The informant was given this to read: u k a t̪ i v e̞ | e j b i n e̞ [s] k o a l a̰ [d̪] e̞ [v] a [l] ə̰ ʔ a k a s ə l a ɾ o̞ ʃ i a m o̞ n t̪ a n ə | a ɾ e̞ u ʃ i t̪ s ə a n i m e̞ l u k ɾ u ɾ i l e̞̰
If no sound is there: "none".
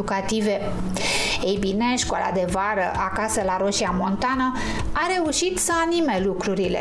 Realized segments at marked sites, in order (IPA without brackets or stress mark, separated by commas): ʃ, d̪, v, ɾ